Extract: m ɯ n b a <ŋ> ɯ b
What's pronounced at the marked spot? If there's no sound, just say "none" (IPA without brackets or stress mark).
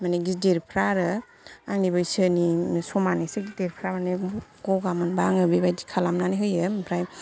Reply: ŋ